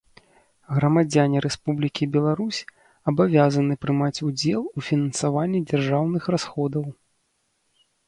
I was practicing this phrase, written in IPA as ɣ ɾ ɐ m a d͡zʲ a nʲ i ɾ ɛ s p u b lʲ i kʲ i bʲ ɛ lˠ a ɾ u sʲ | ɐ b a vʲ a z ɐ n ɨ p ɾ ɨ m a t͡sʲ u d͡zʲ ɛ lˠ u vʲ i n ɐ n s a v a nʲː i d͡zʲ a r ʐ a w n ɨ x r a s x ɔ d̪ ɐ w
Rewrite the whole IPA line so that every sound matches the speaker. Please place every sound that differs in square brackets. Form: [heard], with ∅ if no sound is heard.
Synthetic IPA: ɣ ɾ ɐ m a d͡zʲ a nʲ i ɾ ɛ s p u b lʲ i kʲ i bʲ ɛ lˠ a ɾ u sʲ | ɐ b a vʲ a z ɐ n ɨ p ɾ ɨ m a t͡sʲ u d͡zʲ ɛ lˠ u [fʲ] i n ɐ n s a v a nʲː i d͡zʲ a r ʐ a w n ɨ x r a s x ɔ d̪ ɐ w

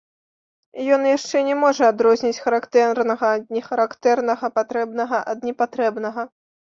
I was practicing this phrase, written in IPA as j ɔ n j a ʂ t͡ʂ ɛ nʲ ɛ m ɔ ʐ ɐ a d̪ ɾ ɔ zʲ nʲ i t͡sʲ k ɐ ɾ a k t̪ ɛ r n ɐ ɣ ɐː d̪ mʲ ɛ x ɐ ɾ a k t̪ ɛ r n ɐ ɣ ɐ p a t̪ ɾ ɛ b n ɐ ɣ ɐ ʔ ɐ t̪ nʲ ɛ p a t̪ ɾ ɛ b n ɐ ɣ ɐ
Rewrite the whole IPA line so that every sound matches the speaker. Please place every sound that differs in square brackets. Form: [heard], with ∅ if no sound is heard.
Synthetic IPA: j ɔ n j a ʂ t͡ʂ ɛ nʲ ɛ m ɔ ʐ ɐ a d̪ ɾ ɔ zʲ nʲ i t͡sʲ [x] ɐ ɾ a k t̪ ɛ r n ɐ ɣ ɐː d̪ [nʲ] ɛ x ɐ ɾ a k t̪ ɛ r n ɐ ɣ ɐ p a t̪ ɾ ɛ b n ɐ ɣ ɐ ʔ ɐ [d̪] nʲ ɛ p a t̪ ɾ ɛ b n ɐ ɣ ɐ

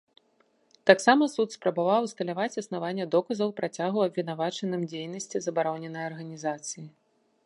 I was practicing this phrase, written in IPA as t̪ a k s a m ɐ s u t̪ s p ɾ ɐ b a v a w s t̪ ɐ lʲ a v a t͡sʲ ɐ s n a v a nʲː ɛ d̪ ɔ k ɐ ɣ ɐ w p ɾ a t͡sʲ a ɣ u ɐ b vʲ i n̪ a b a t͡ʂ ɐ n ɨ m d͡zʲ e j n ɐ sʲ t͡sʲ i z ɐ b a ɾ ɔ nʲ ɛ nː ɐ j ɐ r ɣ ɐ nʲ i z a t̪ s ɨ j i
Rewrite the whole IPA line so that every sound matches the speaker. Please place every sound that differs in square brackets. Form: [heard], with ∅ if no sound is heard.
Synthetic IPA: t̪ a k s a m ɐ s u t̪ s p ɾ ɐ b a v a w s t̪ ɐ lʲ a v a t͡sʲ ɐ s n a v a nʲː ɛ d̪ ɔ k ɐ [z] ɐ w p ɾ a t͡sʲ a ɣ u ɐ b vʲ i n̪ a [v] a t͡ʂ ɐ n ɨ m d͡zʲ e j n ɐ sʲ t͡sʲ i z ɐ b a ɾ ɔ nʲ ɛ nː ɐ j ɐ r ɣ ɐ nʲ i z a t̪ s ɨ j i

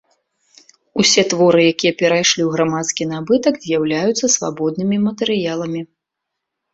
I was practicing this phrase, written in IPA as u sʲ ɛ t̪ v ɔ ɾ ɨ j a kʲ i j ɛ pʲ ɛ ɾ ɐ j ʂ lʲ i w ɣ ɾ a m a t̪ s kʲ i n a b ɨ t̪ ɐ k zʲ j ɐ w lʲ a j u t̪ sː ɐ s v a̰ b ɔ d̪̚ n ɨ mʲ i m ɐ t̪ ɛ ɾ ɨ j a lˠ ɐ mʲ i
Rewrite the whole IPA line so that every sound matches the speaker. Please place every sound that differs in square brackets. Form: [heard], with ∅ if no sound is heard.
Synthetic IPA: u sʲ ɛ t̪ v ɔ ɾ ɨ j a kʲ i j ɛ pʲ ɛ ɾ [a] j ʂ lʲ i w ɣ ɾ a m a t̪ s kʲ i n a b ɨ t̪ ɐ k zʲ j [a] w lʲ a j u t̪ sː ɐ s v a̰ b ɔ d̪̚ n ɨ mʲ i m ɐ t̪ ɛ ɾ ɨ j a lˠ ɐ mʲ i

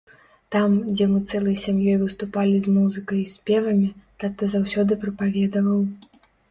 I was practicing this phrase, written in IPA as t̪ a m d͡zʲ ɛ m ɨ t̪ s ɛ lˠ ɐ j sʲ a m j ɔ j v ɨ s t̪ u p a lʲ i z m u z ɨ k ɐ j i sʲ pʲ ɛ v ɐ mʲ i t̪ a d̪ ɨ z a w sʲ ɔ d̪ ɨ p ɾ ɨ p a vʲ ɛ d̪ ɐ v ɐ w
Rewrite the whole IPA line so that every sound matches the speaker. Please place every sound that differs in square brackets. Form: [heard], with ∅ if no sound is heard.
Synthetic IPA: t̪ a m d͡zʲ ɛ m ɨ t̪ s ɛ lˠ ɐ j sʲ a m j ɔ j v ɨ s t̪ u p a lʲ i z m u z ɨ k ɐ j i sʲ pʲ ɛ v ɐ mʲ i t̪ a [t̪] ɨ z a w sʲ ɔ d̪ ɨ p ɾ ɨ p a vʲ ɛ d̪ ɐ v ɐ w

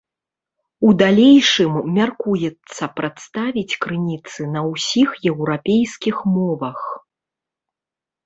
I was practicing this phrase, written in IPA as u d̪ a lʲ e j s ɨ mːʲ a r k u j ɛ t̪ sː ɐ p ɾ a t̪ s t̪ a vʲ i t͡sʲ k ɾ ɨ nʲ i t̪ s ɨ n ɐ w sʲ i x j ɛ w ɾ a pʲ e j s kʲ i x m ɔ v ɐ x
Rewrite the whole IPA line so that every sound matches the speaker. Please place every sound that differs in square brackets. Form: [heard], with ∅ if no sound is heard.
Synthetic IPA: u d̪ a lʲ e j [ʂ] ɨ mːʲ a r k u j ɛ t̪ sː ɐ p ɾ a t̪ s t̪ a vʲ i t͡sʲ k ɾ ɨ nʲ i t̪ s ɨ n ɐ w sʲ i x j ɛ w ɾ a pʲ e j s kʲ i x m ɔ v ɐ x

